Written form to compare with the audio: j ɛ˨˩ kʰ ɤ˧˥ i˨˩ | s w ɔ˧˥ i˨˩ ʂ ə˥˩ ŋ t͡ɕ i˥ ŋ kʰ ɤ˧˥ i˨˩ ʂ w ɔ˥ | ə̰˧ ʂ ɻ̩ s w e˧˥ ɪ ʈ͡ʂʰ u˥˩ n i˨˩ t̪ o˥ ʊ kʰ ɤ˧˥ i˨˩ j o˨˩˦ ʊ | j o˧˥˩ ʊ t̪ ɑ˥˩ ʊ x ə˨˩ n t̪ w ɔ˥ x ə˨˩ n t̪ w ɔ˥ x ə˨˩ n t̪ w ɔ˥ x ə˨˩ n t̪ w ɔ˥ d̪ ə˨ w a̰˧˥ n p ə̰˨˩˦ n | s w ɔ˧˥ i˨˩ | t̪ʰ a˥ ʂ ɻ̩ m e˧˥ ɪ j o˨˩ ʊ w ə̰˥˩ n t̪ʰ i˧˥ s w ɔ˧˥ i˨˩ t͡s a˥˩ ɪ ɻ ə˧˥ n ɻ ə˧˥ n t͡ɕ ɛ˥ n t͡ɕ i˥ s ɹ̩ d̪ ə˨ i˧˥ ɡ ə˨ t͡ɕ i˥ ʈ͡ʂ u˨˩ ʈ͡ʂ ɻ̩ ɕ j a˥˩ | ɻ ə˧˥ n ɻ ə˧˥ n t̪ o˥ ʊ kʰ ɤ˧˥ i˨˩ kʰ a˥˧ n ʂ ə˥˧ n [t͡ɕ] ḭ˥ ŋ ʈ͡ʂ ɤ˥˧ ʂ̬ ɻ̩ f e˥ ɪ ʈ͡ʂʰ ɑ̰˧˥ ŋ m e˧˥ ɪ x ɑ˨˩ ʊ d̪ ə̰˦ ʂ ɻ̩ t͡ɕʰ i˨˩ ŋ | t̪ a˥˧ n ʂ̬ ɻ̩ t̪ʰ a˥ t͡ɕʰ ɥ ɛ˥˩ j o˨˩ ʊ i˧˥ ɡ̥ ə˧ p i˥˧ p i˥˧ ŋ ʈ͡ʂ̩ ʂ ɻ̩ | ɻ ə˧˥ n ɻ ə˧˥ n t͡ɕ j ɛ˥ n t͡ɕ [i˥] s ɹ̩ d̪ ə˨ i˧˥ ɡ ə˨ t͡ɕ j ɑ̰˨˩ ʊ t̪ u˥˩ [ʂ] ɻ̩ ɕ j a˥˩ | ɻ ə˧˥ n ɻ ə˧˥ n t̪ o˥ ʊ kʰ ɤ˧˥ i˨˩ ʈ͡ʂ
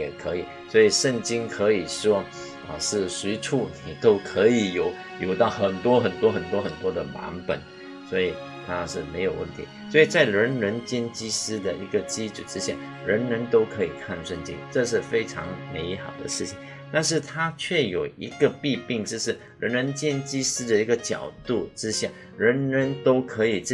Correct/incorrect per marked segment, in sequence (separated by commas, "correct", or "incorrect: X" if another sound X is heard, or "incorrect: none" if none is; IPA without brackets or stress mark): correct, correct, incorrect: ʈ͡ʂ